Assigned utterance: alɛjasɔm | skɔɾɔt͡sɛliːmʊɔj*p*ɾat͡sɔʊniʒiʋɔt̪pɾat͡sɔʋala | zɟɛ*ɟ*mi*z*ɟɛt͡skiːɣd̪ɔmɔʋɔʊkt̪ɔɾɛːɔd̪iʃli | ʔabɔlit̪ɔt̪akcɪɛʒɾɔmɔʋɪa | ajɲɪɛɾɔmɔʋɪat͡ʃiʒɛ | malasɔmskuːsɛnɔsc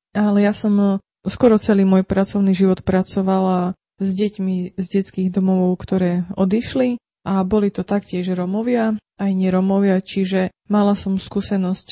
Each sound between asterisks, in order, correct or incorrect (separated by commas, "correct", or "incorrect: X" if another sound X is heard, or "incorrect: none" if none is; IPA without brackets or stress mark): correct, incorrect: c, correct